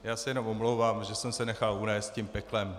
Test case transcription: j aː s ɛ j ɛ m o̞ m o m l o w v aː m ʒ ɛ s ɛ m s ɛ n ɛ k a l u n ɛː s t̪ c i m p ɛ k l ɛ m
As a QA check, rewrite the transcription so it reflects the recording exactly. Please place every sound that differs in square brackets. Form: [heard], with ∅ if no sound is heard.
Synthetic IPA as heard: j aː s ɛ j ɛ [n] o̞ m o m l o w v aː m ʒ ɛ s ɛ m s ɛ n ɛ [x] a l u n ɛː s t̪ c i m p ɛ k l ɛ m